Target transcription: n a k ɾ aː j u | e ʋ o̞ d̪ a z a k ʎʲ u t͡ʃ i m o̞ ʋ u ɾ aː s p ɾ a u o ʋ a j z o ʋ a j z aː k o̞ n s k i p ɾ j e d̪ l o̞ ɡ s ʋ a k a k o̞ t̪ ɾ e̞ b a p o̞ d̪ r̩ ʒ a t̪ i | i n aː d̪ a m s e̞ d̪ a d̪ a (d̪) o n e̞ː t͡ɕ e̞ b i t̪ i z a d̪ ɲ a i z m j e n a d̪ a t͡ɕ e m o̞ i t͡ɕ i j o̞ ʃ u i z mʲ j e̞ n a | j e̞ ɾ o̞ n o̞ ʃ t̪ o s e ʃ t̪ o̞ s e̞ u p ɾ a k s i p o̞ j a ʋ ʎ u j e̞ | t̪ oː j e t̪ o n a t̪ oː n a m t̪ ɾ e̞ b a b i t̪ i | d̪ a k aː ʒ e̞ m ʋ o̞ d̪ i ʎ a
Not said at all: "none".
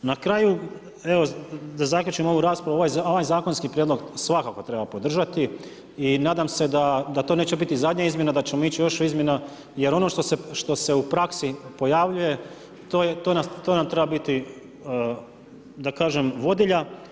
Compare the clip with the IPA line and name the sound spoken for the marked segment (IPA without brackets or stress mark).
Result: t̪